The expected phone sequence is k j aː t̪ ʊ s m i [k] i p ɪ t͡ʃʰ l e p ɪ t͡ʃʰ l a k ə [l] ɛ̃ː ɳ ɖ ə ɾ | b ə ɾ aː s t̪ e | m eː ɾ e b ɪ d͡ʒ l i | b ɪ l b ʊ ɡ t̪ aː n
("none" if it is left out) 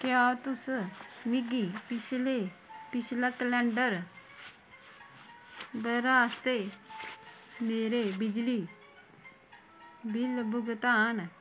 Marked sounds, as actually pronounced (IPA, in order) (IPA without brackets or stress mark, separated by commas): ɡ, l